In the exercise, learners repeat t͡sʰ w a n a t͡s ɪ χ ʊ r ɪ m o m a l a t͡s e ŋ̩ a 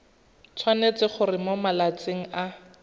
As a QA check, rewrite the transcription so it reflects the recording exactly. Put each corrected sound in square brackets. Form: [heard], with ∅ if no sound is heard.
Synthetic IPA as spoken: t͡sʰ w a n [e] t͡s ɪ χ ʊ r ɪ m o m a l a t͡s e ŋ̩ a